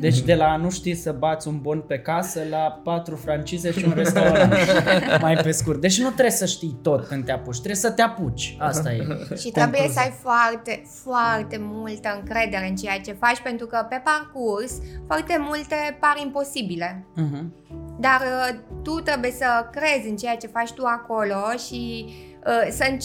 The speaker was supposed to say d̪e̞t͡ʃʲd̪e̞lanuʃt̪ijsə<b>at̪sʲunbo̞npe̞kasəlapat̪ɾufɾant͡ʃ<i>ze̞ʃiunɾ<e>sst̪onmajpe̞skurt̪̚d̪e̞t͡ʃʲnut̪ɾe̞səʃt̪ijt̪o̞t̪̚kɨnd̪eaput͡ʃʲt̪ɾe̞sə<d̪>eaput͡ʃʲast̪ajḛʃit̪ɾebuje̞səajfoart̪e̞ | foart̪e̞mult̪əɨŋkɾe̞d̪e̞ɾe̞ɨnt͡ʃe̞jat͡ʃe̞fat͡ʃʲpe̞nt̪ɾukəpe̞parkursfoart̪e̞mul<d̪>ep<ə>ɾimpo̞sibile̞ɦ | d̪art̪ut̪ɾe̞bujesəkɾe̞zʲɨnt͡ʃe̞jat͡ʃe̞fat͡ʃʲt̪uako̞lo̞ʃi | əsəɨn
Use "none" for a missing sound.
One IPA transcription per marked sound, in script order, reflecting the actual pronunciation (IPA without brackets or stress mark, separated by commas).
b, i, e, t̪, t̪, a